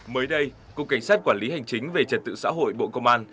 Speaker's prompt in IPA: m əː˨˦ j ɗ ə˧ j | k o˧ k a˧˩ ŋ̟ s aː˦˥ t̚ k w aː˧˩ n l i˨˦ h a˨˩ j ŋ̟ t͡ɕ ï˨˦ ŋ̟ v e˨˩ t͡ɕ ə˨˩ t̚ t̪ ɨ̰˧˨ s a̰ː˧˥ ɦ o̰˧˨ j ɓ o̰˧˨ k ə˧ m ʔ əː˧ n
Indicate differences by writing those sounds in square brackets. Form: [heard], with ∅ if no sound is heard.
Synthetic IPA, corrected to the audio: m əː˨˦ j ɗ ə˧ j | k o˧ k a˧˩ ŋ̟ s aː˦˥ t̚ k w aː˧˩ n l i˨˦ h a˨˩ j ŋ̟ t͡ɕ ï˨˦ ŋ̟ v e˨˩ t͡ɕ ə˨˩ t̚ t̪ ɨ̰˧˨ s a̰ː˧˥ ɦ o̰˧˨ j ɓ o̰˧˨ k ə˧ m ʔ [aː˧] n